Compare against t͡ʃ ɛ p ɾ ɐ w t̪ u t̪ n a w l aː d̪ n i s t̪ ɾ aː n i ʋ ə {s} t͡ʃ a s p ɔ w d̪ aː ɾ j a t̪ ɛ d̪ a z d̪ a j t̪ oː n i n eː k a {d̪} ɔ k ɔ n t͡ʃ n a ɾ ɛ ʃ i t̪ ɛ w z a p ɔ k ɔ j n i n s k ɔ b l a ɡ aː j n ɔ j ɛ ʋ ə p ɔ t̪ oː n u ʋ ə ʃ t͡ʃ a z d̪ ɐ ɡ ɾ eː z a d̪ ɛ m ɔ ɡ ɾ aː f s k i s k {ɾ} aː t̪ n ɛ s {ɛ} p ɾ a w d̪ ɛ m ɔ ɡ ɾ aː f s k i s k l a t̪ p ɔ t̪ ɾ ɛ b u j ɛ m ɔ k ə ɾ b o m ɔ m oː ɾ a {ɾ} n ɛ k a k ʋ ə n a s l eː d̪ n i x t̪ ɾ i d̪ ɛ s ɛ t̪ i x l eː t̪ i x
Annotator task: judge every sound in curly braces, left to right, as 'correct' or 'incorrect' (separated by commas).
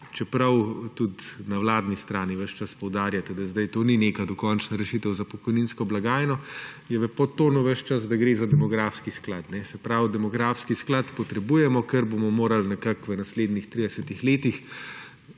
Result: incorrect, correct, incorrect, correct, incorrect